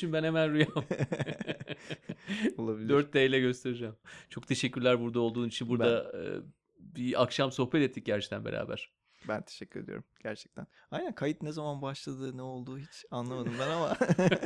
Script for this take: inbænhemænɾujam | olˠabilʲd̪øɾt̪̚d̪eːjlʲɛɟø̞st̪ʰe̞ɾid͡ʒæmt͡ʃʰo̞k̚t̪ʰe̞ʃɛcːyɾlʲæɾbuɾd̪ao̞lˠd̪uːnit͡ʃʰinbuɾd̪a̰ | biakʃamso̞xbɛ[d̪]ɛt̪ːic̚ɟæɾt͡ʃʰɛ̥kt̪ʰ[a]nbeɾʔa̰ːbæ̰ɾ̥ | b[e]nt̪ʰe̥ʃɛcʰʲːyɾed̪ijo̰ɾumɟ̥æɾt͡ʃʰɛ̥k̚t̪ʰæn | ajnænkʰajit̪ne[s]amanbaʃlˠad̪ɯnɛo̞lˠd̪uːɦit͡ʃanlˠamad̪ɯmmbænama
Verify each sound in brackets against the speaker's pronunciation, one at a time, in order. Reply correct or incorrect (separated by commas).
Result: incorrect, incorrect, incorrect, incorrect